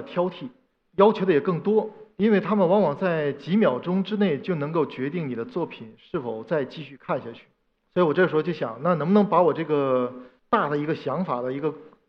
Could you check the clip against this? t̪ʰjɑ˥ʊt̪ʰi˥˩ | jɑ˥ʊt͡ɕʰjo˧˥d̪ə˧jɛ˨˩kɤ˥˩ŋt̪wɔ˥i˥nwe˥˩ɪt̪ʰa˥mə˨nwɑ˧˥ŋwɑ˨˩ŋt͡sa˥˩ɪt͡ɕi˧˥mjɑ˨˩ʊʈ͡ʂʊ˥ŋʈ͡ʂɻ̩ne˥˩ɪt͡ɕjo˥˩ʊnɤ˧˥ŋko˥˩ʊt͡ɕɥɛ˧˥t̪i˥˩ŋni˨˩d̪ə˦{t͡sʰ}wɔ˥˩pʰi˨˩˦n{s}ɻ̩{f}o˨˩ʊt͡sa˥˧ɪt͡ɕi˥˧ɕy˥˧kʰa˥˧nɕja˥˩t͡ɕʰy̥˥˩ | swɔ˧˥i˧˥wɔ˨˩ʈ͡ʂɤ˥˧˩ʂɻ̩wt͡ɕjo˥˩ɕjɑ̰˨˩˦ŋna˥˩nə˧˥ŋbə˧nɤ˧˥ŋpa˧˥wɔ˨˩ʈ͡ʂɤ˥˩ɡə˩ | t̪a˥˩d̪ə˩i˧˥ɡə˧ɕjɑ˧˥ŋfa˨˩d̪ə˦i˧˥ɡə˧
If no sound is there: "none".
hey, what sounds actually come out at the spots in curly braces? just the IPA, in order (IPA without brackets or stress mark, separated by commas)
t͡s, ʂ, f